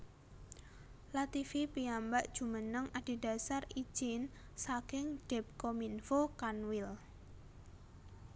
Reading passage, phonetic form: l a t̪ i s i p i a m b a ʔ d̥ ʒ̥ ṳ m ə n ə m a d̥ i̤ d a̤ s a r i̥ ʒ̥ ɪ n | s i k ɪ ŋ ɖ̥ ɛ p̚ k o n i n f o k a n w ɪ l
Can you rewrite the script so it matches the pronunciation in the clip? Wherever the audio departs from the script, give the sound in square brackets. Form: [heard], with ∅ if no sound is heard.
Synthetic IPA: l a t̪ i [f] i p i a m b a ʔ d̥ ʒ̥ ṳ m ə n ə [ŋ] a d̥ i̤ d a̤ s a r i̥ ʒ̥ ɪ n | s [a] k ɪ ŋ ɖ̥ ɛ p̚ k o [m] i n f o k a n w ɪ l